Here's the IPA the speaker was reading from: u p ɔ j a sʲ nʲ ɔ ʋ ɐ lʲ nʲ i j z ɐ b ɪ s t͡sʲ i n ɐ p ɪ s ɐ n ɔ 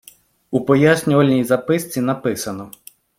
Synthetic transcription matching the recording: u p ɔ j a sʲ nʲ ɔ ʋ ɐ lʲ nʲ i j z ɐ p ɪ s t͡sʲ i n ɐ p ɪ s ɐ n ɔ